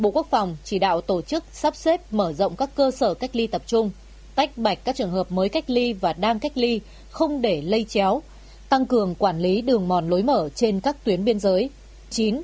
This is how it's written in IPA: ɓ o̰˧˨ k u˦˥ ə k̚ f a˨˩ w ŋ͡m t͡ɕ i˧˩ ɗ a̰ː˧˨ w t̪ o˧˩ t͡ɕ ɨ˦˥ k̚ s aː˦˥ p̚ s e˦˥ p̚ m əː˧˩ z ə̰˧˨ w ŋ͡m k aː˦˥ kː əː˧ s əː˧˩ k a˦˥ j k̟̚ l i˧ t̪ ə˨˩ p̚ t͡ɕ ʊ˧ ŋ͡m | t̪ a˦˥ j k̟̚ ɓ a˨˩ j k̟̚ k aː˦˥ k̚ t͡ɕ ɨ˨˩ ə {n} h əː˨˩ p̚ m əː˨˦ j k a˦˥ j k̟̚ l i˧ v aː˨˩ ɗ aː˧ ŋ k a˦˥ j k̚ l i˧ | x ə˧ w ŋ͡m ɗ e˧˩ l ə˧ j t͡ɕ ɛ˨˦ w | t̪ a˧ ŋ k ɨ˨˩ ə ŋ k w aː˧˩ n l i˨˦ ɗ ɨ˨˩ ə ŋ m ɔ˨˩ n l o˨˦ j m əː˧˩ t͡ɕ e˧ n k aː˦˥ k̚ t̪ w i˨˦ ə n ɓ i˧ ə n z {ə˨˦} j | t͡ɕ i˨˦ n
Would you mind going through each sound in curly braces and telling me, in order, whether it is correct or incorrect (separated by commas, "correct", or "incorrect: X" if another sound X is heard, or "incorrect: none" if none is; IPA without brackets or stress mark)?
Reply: incorrect: ŋ, incorrect: əː˨˦